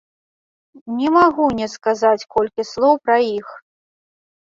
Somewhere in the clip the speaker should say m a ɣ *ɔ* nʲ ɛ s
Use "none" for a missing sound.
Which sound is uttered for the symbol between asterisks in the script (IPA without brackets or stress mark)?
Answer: u